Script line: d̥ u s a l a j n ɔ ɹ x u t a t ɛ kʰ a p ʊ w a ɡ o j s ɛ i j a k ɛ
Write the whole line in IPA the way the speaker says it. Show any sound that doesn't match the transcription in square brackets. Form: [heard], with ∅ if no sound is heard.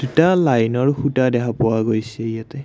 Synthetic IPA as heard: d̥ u [t] a l a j n ɔ ɹ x u t a [d] ɛ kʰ a p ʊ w a ɡ o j s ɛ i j a [t] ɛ